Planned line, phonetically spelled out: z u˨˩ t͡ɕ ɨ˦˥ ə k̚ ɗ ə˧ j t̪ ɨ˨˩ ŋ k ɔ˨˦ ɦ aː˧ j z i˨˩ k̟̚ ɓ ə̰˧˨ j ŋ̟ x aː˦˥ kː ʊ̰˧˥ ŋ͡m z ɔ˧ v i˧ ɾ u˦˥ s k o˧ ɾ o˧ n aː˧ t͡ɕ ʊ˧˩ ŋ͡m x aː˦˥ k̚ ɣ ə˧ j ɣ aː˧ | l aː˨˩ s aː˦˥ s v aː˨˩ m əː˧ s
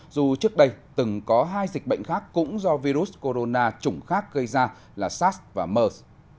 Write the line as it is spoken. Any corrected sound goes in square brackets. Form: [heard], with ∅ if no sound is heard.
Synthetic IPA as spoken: z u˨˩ t͡ɕ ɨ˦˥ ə k̚ ɗ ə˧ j t̪ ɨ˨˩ ŋ k ɔ˨˦ ɦ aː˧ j z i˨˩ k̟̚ ɓ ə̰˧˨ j ŋ̟ x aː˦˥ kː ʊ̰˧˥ ŋ͡m z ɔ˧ v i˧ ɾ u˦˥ s k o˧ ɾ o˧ n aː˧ t͡ɕ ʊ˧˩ ŋ͡m x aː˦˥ k̚ ɣ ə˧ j [z] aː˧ | l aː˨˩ s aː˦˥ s v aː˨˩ m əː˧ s